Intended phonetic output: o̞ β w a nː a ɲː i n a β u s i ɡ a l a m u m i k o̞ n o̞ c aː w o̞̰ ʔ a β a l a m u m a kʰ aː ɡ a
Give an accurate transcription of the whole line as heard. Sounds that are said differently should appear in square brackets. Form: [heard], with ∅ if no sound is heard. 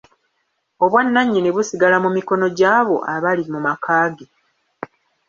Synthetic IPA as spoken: o̞ β w a nː a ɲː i n [e] β u s i ɡ a l a m u m i k o̞ n o̞ [ɟ] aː [β] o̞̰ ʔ a β a l [i] m u m a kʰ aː ɡ [e]